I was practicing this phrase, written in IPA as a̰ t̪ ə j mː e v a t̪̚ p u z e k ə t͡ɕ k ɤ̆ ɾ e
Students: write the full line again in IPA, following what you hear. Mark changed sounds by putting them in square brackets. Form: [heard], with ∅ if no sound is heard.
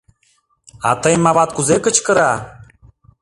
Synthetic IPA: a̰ t̪ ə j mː [a] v a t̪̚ [k] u z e k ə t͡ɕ k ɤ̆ ɾ [a]